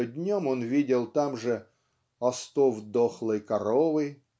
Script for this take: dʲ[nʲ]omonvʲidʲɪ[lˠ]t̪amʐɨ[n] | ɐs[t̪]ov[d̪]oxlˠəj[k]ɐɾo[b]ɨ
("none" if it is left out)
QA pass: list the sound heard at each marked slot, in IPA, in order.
nʲ, lˠ, none, t̪, d̪, k, v

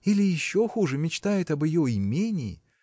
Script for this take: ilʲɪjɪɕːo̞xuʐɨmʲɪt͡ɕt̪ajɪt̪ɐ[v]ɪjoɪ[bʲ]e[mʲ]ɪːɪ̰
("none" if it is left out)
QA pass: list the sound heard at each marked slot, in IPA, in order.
b, mʲ, nʲ

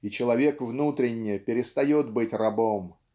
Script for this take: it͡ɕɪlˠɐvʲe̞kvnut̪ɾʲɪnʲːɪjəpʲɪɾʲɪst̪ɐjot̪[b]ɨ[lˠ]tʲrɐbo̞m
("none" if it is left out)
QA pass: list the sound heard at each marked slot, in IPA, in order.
b, none

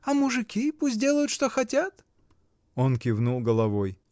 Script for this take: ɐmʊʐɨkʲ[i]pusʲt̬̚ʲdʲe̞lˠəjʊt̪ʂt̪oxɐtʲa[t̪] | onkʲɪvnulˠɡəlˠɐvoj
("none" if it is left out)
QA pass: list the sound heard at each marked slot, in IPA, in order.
i, t̪

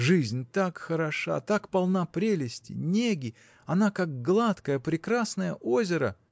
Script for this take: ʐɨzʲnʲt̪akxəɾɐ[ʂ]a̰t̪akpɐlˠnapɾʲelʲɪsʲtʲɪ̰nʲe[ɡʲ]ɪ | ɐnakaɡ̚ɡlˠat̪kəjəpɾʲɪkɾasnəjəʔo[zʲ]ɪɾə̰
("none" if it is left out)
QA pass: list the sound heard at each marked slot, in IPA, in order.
ʂ, ɡʲ, zʲ

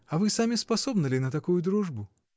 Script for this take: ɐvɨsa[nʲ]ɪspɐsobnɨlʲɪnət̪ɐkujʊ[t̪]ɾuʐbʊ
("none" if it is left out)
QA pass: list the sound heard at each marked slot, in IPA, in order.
mʲ, d̪

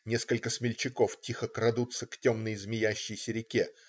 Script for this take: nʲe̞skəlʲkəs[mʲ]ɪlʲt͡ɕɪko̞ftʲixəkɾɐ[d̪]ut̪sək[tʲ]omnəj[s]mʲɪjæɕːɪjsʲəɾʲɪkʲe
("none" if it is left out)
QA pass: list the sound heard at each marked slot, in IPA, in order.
mʲ, d̪, tʲ, z

